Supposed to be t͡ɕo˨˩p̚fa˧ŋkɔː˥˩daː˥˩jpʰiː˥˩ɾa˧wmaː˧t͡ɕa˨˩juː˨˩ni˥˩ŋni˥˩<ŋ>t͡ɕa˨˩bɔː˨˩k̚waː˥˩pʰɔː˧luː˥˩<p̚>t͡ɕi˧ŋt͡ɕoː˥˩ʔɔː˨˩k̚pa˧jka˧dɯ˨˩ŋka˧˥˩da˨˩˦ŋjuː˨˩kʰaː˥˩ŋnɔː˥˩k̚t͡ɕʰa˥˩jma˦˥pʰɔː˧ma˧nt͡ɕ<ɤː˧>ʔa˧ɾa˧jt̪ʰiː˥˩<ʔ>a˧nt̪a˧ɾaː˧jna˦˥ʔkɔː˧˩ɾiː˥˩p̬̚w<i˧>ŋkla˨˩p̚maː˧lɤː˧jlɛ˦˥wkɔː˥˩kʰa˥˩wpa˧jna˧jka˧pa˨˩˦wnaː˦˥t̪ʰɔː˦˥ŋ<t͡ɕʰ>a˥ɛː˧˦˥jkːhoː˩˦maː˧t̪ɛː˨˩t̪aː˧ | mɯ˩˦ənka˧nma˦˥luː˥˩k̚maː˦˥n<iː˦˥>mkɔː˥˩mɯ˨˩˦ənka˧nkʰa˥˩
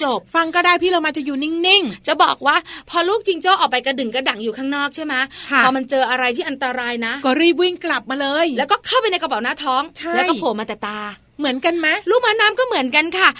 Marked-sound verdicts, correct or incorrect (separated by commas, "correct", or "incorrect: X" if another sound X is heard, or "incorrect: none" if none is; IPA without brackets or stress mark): correct, incorrect: k̚, correct, correct, incorrect: i˥˩, correct, incorrect: aː˦˥